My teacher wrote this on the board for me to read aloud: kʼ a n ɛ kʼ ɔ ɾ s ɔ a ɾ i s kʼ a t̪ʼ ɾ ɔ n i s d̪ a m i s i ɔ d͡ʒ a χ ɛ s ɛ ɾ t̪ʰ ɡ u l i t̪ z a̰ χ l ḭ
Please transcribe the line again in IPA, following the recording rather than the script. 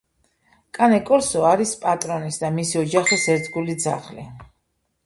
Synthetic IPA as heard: kʼ a n ɛ kʼ ɔ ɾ s ɔ a ɾ i s pʼ a t̪ʼ ɾ ɔ n i s d̪ a m i s i ɔ d͡ʒ a χ i s ɛ ɾ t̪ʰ ɡ u l i d̪ z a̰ χ l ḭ